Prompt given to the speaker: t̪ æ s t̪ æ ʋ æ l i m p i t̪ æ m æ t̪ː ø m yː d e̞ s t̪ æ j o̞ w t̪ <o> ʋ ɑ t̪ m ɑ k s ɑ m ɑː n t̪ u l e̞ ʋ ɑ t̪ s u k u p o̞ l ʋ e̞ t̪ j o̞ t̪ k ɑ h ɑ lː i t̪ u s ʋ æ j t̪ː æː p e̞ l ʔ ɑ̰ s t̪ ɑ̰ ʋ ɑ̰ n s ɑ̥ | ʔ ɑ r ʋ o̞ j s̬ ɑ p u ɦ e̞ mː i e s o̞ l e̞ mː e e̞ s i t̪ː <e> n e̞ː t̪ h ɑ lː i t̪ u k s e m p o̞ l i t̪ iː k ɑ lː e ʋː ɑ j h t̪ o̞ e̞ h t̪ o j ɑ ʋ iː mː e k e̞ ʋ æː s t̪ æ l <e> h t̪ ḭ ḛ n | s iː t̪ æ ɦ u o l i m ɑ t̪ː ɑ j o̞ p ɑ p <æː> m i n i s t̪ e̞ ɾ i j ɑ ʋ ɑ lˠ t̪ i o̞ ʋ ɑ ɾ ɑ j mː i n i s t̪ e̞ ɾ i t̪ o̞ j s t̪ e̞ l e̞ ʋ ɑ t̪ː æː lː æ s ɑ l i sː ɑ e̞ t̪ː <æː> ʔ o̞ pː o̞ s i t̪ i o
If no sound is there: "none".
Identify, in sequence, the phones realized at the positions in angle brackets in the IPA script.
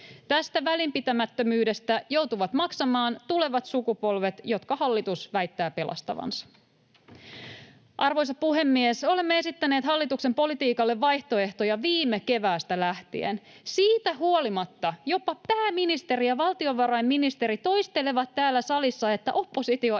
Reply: u, æ, æ, æː, æ

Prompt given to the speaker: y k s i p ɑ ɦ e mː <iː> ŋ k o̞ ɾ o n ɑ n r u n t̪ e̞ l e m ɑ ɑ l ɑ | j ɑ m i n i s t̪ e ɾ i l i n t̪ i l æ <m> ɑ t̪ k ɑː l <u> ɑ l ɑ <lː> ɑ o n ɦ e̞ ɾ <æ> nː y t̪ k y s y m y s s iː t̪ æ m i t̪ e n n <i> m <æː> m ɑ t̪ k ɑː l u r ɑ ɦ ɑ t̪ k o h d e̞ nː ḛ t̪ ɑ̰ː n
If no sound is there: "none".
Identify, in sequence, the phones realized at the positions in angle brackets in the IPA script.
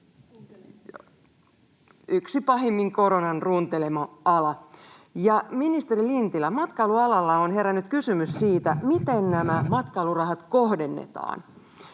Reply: i, m, u, lː, æ, æ, æ

